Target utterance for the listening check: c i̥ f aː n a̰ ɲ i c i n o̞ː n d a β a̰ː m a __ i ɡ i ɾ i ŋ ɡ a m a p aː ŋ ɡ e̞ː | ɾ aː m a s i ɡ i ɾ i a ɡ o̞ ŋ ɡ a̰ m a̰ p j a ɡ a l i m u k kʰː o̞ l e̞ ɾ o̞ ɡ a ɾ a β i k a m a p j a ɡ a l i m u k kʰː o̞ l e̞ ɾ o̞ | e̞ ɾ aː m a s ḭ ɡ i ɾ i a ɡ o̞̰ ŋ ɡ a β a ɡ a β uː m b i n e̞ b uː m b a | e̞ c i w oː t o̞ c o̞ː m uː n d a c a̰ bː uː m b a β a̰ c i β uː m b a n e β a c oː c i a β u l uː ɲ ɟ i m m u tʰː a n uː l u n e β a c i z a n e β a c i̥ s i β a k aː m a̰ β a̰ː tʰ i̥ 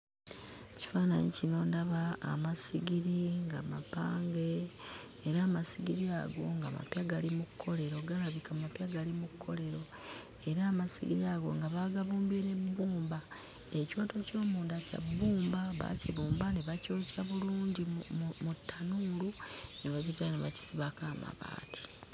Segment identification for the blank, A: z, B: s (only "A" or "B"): B